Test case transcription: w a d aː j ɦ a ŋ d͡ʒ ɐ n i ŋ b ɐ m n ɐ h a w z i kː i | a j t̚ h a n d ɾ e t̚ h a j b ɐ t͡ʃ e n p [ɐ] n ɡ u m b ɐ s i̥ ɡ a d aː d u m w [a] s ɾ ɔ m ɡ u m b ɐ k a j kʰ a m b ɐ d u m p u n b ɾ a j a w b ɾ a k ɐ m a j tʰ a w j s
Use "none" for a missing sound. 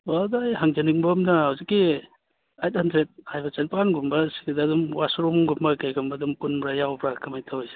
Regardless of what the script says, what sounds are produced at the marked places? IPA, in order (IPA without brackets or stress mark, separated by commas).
a, a